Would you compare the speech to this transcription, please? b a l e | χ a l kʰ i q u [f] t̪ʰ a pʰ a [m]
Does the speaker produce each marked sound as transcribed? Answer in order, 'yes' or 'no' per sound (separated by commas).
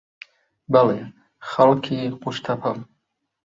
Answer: no, yes